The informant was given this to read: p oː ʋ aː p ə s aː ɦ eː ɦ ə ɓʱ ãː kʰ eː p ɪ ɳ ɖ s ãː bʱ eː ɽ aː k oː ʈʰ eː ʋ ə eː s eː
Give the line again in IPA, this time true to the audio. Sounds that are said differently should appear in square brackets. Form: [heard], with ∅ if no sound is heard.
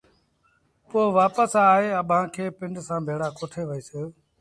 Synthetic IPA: p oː ʋ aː p ə s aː ɦ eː [∅] ə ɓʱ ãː kʰ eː p ɪ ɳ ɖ s ãː bʱ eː ɽ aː k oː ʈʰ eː ʋ ə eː s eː